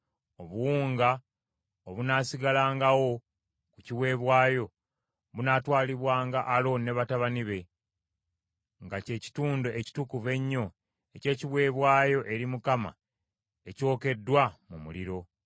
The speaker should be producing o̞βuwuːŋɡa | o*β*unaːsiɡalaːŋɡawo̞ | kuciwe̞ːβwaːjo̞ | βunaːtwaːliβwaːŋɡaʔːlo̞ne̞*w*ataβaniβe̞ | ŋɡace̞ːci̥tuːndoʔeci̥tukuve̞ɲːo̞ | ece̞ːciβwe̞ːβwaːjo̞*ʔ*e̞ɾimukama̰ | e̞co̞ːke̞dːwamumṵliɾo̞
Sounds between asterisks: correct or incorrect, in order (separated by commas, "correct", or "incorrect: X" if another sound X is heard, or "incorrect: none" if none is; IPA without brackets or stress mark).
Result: correct, incorrect: β, correct